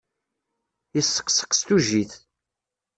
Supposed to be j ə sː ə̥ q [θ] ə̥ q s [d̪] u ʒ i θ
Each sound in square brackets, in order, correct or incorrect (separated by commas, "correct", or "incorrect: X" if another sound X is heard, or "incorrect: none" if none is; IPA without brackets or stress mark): incorrect: s, incorrect: t̪